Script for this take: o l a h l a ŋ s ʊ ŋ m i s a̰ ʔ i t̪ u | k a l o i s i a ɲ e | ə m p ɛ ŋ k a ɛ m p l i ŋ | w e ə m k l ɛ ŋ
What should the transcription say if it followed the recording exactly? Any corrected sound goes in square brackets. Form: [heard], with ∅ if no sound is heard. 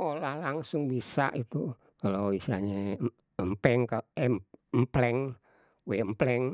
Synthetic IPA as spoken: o l a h l a ŋ s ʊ ŋ [b] i s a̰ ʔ i t̪ u | k a l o i s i a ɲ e | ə m p ɛ ŋ k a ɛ m p l [ɛ] ŋ | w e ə m [p] l ɛ ŋ